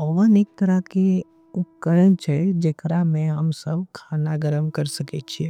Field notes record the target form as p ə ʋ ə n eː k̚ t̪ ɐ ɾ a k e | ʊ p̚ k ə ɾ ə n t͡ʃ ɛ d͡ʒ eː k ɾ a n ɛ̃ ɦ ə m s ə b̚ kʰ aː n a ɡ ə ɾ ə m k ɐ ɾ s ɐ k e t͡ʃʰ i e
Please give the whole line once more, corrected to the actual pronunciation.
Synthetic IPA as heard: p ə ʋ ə n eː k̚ t̪ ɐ ɾ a k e | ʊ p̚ k ə ɾ ə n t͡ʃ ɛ d͡ʒ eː k ɾ a m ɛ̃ ɦ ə m s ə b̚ kʰ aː n a ɡ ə ɾ ə m k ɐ ɾ s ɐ k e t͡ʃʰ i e